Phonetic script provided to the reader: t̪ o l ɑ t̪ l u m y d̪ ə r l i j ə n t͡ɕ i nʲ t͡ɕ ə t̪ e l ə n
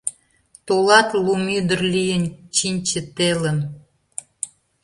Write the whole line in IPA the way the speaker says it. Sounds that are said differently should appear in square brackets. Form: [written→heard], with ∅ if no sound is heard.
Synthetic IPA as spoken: t̪ o l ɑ t̪ l u m y d̪ ə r l i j ə n t͡ɕ i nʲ t͡ɕ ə t̪ e l ə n